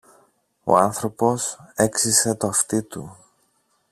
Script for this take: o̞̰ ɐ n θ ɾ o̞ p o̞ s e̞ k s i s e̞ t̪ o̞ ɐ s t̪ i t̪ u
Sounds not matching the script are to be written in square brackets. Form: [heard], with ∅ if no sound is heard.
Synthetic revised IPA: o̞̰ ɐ n θ ɾ o̞ p o̞ s e̞ k s i s e̞ t̪ o̞ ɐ [f] t̪ i t̪ u